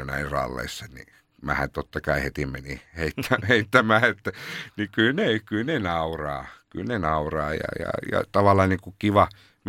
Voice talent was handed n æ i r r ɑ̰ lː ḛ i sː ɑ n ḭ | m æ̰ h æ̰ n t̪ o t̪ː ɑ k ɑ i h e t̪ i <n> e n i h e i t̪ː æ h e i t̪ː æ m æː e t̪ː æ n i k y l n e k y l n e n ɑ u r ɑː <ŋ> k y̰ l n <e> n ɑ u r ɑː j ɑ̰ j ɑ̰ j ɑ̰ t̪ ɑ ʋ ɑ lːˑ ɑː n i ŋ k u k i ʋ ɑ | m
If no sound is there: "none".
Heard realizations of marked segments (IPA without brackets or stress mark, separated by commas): m, none, e